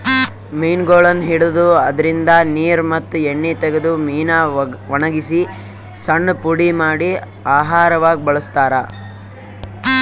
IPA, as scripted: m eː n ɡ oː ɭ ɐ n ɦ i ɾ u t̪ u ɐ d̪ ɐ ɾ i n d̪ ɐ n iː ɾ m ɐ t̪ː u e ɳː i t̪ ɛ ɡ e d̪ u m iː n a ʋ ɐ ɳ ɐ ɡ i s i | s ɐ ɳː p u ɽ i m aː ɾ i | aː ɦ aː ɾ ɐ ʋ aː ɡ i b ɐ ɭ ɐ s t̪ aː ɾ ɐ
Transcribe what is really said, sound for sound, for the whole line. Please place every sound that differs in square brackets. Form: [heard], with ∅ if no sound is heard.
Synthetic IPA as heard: m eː n ɡ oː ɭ ɐ n ɦ i [ɽ] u [d̪] u ɐ d̪ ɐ ɾ i n d̪ ɐ n iː ɾ m ɐ t̪ː u e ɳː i t̪ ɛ ɡ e d̪ u m iː n a ʋ ɐ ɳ ɐ ɡ i s i | s ɐ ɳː p u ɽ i m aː [ɽ] i | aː ɦ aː ɾ ɐ ʋ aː ɡ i b ɐ ɭ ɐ s t̪ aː ɾ ɐ